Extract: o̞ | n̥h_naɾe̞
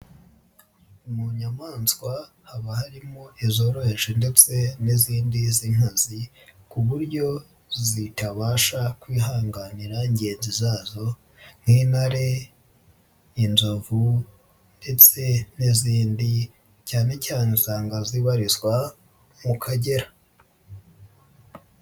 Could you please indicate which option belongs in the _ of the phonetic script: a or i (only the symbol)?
i